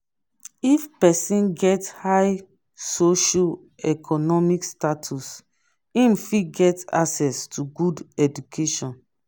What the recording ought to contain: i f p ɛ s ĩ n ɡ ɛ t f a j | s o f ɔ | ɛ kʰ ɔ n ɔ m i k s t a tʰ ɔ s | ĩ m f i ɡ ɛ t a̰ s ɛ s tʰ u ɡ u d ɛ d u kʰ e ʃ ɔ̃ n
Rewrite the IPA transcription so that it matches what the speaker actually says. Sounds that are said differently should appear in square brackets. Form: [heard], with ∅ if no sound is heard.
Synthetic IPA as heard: i f p ɛ s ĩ n ɡ ɛ t [h] a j | s o [ʃ] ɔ | ɛ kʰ ɔ n ɔ m i k s t a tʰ [u] s | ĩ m f i ɡ ɛ t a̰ s ɛ s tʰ u ɡ u d ɛ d u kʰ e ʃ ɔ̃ n